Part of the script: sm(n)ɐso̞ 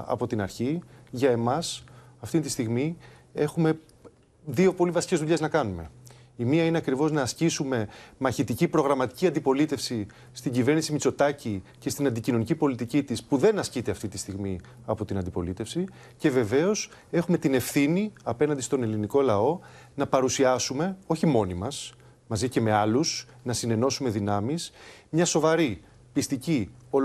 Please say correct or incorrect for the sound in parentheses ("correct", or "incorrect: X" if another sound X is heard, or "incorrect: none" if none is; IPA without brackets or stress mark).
incorrect: ɲ